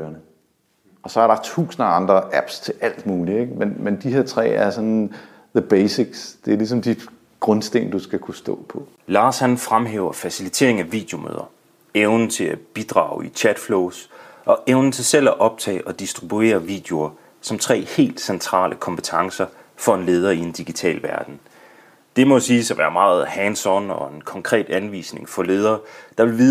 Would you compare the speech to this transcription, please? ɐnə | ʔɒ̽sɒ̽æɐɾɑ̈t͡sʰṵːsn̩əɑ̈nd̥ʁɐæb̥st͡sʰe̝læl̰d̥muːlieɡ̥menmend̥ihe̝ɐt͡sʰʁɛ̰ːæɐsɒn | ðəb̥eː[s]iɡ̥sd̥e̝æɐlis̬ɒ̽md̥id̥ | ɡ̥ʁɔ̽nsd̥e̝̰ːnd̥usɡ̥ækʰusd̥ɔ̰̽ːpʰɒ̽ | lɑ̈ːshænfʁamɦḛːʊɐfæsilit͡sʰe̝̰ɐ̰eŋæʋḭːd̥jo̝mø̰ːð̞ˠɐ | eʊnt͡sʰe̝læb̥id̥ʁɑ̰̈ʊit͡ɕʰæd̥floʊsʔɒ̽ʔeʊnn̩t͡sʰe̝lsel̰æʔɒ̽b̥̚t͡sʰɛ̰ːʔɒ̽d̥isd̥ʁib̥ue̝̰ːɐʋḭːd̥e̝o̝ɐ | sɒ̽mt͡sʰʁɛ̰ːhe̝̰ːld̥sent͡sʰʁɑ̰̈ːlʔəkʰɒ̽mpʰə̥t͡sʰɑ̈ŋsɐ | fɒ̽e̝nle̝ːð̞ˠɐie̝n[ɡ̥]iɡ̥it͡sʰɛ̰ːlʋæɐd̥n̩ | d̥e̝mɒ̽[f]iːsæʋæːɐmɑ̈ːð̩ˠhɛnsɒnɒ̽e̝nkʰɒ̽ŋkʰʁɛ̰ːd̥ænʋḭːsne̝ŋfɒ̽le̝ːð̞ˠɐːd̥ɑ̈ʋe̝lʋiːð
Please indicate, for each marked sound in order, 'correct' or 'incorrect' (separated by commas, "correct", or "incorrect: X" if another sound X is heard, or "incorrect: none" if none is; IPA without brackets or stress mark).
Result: correct, incorrect: d̥, incorrect: s